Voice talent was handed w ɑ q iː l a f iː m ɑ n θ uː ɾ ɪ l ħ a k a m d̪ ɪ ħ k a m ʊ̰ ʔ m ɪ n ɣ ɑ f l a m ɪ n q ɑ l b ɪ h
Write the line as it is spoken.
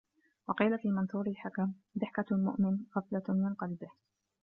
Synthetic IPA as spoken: w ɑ q iː l a f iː m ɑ n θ uː ɾ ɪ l ħ a k a m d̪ ɪ ħ k a m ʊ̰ ʔ m ɪ n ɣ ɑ f l a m ɪ n q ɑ l b ɪ h